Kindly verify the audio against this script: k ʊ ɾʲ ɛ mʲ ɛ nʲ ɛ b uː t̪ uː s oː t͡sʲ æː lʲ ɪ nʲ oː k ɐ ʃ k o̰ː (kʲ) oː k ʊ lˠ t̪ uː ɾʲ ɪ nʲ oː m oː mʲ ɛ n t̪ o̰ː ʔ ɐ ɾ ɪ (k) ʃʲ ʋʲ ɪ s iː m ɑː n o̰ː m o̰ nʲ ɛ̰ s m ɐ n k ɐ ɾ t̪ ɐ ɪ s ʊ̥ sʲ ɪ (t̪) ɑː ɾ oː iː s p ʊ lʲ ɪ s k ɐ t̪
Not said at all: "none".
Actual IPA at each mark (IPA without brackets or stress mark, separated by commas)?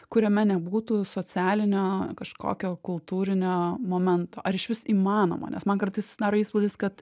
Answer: kʲ, none, d̪